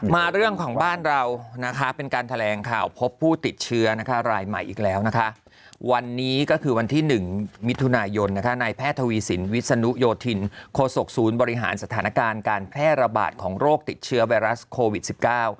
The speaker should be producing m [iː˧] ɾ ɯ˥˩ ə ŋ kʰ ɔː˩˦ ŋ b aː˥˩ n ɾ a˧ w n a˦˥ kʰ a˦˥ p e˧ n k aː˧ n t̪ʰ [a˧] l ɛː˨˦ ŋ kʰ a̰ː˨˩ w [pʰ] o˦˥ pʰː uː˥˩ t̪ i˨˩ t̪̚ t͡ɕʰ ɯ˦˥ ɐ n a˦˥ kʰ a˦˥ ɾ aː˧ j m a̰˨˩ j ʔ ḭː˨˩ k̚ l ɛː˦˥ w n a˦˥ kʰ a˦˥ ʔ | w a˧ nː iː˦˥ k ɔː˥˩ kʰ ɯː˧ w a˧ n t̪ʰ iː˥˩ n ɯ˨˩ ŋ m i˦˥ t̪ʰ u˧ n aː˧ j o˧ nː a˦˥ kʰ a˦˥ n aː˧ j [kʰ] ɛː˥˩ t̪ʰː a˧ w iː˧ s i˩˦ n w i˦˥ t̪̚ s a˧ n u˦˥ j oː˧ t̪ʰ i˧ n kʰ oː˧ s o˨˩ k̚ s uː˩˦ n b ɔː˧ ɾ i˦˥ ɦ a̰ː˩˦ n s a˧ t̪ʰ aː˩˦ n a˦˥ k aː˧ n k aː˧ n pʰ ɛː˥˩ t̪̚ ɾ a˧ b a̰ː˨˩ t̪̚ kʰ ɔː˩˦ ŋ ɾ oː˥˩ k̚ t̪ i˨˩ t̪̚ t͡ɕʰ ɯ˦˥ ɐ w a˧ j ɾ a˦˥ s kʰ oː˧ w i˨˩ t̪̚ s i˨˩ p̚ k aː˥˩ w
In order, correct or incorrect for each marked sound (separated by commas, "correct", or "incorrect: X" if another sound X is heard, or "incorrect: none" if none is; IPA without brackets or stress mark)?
incorrect: aː˧, correct, correct, incorrect: pʰ